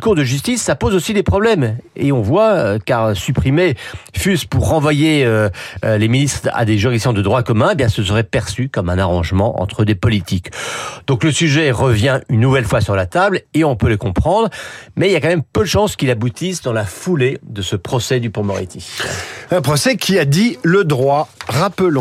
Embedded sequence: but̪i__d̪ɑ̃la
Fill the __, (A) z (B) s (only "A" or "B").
B